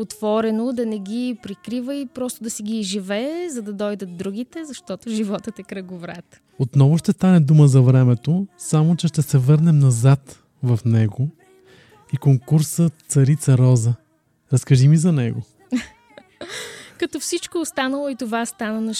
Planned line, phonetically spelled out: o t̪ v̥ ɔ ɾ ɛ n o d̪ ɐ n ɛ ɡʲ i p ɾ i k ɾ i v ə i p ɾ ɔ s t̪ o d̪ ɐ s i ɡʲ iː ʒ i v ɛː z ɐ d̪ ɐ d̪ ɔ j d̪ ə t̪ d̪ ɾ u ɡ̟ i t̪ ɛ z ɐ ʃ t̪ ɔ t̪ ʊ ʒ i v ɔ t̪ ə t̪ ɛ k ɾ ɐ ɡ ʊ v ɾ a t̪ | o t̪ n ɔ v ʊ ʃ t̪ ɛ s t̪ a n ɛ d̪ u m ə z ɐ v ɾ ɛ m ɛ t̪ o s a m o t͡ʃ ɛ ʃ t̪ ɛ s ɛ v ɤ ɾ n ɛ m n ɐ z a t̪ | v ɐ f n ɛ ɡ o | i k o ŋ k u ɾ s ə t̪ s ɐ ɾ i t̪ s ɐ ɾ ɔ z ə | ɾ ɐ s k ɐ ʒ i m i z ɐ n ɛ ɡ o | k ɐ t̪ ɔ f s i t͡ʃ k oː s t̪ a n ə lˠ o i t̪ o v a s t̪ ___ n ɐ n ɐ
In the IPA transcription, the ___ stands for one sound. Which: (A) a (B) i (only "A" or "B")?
A